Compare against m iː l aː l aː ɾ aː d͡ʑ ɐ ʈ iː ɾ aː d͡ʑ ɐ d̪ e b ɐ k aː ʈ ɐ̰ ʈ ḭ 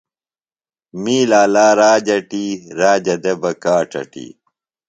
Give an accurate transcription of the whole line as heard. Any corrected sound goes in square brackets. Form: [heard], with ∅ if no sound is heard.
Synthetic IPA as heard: m iː l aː l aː ɾ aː d͡ʑ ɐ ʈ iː ɾ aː d͡ʑ ɐ d̪ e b ɐ k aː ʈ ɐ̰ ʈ ḭ